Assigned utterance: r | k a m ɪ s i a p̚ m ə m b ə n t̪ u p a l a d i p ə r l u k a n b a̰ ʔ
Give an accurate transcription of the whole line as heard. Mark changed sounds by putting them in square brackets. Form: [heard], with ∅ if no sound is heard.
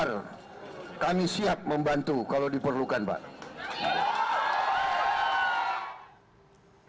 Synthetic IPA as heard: r | k a m [i] s i a p̚ m ə m b [a] n t̪ u [k] a l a d i p ə r l u k a n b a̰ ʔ